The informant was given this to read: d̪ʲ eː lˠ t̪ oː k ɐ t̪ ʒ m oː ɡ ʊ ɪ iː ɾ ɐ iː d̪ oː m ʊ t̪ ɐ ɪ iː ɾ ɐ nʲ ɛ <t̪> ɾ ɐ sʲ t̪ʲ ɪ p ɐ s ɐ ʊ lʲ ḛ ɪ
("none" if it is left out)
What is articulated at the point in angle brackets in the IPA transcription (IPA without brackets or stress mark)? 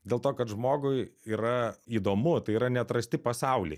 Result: t̪